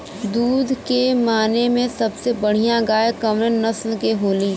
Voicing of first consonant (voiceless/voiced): voiced